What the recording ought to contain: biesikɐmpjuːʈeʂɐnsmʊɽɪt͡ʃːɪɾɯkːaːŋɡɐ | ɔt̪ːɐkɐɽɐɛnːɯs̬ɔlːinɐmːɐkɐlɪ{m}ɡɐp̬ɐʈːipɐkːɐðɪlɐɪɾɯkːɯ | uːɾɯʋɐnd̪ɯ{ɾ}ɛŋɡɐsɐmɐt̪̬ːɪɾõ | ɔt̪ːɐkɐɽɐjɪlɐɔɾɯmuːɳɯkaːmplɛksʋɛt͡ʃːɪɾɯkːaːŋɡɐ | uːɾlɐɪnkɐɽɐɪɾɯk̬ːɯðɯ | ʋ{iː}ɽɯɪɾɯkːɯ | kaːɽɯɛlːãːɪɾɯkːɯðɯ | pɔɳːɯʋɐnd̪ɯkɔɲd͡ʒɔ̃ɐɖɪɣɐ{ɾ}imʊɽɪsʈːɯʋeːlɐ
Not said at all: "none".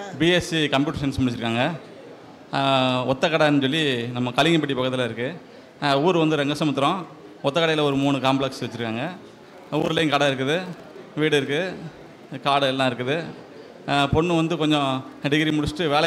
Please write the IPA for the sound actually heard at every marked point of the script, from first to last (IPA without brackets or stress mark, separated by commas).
ŋ, ɾ, iː, ɾ